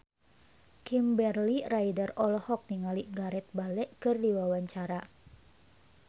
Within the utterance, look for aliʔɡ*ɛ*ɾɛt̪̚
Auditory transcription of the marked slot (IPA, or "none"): a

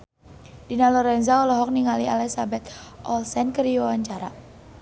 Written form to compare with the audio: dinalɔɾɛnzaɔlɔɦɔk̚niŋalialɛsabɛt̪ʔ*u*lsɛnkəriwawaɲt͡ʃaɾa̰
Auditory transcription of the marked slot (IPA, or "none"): ɔ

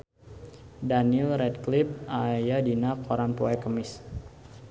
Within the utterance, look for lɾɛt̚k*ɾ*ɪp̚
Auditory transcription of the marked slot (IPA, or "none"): l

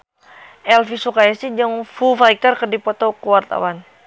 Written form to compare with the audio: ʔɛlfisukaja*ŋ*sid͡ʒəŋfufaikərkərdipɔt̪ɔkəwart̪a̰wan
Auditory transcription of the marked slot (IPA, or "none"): none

